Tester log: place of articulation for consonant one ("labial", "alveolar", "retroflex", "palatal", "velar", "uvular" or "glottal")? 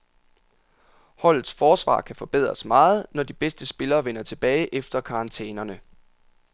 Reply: glottal